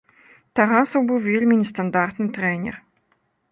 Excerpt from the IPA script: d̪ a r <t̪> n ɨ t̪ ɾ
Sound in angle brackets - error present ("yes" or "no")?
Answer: no